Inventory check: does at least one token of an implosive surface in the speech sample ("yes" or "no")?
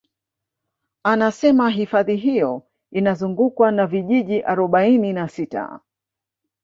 yes